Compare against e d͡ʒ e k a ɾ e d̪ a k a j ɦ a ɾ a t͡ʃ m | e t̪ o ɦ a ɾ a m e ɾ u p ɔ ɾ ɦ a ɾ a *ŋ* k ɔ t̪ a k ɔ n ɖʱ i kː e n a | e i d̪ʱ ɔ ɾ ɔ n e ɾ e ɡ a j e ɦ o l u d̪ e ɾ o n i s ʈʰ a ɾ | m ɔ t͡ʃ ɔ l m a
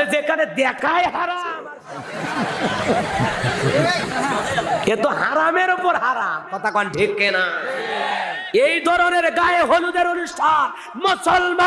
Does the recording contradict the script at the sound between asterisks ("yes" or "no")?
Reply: yes